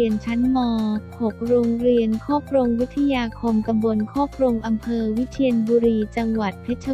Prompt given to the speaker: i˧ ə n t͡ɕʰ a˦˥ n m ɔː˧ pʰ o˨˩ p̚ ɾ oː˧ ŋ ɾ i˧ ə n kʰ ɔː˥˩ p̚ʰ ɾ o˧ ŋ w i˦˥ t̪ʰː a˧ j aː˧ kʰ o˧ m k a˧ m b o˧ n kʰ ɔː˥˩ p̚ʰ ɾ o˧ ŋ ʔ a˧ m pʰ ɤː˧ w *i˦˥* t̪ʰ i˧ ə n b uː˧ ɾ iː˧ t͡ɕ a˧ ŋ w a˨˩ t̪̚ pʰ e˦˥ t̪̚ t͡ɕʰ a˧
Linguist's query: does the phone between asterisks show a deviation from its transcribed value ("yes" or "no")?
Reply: no